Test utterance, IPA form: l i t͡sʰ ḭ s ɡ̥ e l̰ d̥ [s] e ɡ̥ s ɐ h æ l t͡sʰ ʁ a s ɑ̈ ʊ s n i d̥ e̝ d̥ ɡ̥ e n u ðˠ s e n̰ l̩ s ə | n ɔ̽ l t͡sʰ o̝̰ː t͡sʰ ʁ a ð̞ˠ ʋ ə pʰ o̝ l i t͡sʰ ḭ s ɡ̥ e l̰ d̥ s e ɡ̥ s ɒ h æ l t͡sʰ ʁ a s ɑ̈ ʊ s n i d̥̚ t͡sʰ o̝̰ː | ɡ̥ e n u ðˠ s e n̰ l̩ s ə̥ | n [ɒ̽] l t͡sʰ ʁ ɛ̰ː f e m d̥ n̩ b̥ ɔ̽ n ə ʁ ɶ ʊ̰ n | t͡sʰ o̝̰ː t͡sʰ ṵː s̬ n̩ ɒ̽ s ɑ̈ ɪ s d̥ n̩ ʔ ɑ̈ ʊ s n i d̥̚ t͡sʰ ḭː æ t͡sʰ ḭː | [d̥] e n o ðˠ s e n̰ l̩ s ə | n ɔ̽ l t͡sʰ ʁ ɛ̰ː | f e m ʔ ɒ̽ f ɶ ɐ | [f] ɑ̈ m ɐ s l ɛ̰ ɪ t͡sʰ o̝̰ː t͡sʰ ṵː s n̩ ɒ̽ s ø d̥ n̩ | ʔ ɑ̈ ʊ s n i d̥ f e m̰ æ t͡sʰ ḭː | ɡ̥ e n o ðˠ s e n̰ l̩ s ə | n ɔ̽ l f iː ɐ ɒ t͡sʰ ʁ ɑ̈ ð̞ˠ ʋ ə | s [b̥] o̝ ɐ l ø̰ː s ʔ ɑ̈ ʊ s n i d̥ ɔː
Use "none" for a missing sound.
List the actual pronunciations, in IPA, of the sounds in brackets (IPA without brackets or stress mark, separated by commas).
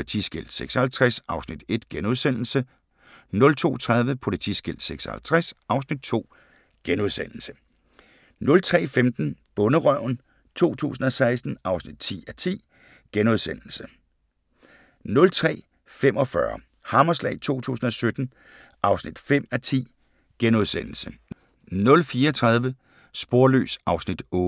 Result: s, ɔ̽, ɡ̥, h, b̥